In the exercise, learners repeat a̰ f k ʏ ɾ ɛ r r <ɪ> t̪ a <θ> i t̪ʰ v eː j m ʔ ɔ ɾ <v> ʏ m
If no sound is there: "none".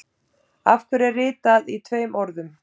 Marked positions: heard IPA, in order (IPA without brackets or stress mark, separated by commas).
ɪː, ð, ð